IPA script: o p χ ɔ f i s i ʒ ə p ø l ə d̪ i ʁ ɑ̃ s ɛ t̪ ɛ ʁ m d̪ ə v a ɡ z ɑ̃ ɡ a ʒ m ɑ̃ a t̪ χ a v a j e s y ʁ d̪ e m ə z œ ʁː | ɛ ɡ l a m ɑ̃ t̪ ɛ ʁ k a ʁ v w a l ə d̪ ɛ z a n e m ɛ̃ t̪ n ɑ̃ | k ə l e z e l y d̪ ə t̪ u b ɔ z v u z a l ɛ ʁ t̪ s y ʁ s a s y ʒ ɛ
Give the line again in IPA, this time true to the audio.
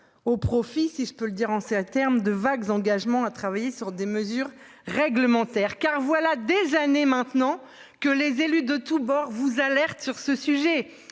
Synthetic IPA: o p χ ɔ f i s i ʒ ə p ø l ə d̪ i ʁ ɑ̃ s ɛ t̪ ɛ ʁ m d̪ ə v a ɡ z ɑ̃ ɡ a ʒ m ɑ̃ a t̪ χ a v a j e s y ʁ d̪ e m ə z y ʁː | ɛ ɡ l ə m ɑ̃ t̪ ɛ ʁ k a ʁ v w a l a d̪ e z a n e m ɛ̃ t̪ n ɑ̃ | k ə l e z e l y d̪ ə t̪ u b ɔ ʁ v u z a l ɛ ʁ t̪ s y ʁ s ə s y ʒ ɛ

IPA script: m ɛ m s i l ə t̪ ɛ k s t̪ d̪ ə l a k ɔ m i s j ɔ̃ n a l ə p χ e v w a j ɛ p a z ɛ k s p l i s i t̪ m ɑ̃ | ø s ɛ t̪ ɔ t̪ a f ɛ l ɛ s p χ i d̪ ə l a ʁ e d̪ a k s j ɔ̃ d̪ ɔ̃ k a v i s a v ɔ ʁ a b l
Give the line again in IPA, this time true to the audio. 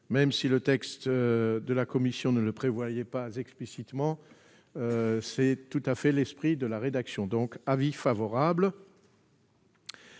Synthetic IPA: m ɛ m s i l ə t̪ ɛ k s t̪ d̪ ə l a k ɔ m i s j ɔ̃ n ə l ə p χ e v w a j ɛ p a z ɛ k s p l i s i t̪ m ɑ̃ | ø s ɛ t̪ u t̪ a f ɛ l ɛ s p χ i d̪ ə l a ʁ e d̪ a k s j ɔ̃ d̪ ɔ̃ k a v i f a v ɔ ʁ a b l

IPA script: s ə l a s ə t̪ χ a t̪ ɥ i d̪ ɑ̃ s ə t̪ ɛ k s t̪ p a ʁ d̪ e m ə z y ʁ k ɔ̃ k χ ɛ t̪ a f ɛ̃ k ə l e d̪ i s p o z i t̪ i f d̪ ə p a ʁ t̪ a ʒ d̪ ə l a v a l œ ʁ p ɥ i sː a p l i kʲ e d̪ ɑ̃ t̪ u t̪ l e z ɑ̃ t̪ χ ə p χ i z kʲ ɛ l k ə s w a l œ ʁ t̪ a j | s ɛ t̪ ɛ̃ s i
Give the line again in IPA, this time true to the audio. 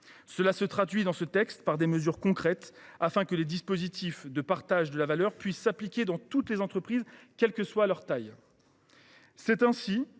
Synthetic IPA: s ə l a s ə t̪ χ a d̪ ɥ i d̪ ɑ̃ s ə t̪ ɛ k s t̪ p a ʁ d̪ e m ə z y ʁ k ɔ̃ k χ ɛ t̪ a f ɛ̃ k ə l e d̪ i s p o z i t̪ i f d̪ ə p a ʁ t̪ a ʒ d̪ ə l a v a l œ ʁ p ɥ i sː a p l i kʲ e d̪ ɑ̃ t̪ u t̪ l e z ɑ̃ t̪ χ ə p χ i z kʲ ɛ l k ə s w a l œ ʁ t̪ a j | s ɛ t̪ ɛ̃ s i

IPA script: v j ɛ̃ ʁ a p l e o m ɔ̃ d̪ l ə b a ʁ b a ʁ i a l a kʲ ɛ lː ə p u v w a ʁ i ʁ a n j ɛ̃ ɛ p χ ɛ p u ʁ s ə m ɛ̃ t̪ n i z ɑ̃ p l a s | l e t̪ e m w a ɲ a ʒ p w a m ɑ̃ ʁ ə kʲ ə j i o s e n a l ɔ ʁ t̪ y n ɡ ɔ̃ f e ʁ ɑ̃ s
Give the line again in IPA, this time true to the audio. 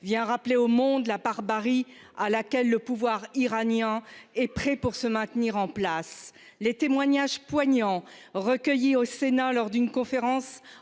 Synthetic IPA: v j ɛ̃ ʁ a p l e o m ɔ̃ d̪ l a b a ʁ b a ʁ i a l a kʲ ɛ lː ə p u v w a ʁ i ʁ a n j ɛ̃ ɛ p χ ɛ p u ʁ s ə m ɛ̃ t̪ n i ʁ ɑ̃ p l a s | l e t̪ e m w a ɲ a ʒ p w a ɲ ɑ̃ ʁ ə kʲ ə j i o s e n a l ɔ ʁ d̪ y n k ɔ̃ f e ʁ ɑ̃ s

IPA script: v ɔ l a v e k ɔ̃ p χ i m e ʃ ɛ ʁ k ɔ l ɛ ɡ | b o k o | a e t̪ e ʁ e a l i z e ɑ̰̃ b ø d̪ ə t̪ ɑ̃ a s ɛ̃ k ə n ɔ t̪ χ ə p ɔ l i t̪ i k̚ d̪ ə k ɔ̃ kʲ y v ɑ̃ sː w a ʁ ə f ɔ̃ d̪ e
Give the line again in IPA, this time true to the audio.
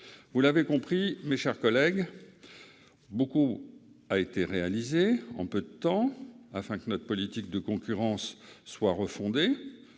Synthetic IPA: v u l a v e k ɔ̃ p χ i m e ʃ ɛ ʁ k ɔ l ɛ ɡ | b o k u | a e t̪ e ʁ e a l i z e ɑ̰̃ p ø d̪ ə t̪ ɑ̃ a f ɛ̃ k ə n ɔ t̪ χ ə p ɔ l i t̪ i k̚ d̪ ə k ɔ̃ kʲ y ʁ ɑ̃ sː w a ʁ ə f ɔ̃ d̪ e

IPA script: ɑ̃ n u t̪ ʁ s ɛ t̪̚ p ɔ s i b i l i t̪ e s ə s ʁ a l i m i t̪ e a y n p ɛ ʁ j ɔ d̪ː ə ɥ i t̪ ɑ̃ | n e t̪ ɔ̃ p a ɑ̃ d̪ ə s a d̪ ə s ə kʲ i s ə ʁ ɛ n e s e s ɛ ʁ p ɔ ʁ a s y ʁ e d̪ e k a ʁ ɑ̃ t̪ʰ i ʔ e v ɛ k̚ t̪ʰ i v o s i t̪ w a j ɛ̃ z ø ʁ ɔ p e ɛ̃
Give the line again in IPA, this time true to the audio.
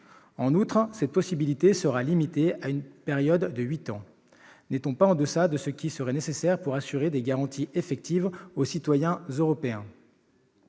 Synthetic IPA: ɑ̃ n u t̪ χ s ɛ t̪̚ p ɔ s i b i l i t̪ e s ə ʁ a l i m i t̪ e a y n p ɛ ʁ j ɔ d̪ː ə ɥ i t̪ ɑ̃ | n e t̪ ɔ̃ p a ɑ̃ d̪ ə s a d̪ ə s ə kʲ i s ə ʁ ɛ n e s e s ɛ ʁ p u ʁ a s y ʁ e d̪ e ɡ a ʁ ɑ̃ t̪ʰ i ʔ e f ɛ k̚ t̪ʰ i v o s i t̪ w a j ɛ̃ z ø ʁ ɔ p e ɛ̃

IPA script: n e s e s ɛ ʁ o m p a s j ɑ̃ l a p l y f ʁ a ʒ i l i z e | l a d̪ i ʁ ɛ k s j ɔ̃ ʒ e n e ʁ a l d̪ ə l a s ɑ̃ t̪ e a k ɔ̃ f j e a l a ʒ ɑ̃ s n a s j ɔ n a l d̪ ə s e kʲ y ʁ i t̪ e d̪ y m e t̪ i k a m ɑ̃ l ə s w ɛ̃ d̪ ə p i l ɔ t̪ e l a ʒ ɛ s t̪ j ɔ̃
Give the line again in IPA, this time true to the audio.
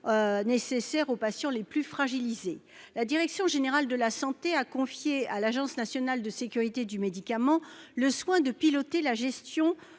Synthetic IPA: n e s e s ɛ ʁ o p a s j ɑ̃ l e p l y f χ a ʒ i l i z e | l a d̪ i ʁ ɛ k s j ɔ̃ ʒ e n e ʁ a l d̪ ə l a s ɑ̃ t̪ e a k ɔ̃ f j e a l a ʒ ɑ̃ s n a s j ɔ n a l d̪ ə s e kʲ y ʁ i t̪ e d̪ y m e d̪ i k a m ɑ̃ l ə s w ɛ̃ d̪ ə p i l ɔ t̪ e l a ʒ ɛ s t̪ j ɔ̃

